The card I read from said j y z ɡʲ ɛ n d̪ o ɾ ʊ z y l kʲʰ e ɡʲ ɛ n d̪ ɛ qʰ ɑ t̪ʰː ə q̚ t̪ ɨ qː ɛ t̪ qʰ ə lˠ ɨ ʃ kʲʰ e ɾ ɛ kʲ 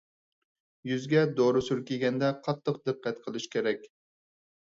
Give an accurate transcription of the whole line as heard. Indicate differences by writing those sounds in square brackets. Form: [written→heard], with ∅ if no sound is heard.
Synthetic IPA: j y z ɡʲ ɛ [n→∅] d̪ o ɾ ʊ [z→s] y [l→ɾ] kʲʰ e ɡʲ ɛ n d̪ ɛ qʰ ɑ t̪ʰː ə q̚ [t̪→d̪] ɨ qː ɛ t̪ qʰ ə lˠ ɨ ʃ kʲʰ e ɾ ɛ kʲ